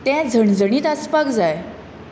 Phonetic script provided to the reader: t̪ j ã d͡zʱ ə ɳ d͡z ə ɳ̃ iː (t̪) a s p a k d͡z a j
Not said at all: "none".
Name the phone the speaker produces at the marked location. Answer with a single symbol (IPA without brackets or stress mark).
t̪